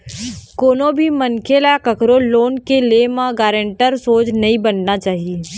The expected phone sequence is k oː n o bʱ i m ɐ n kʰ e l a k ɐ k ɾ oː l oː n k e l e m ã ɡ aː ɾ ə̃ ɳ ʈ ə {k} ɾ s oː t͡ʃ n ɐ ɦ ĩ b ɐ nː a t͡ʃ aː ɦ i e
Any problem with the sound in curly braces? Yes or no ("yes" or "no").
yes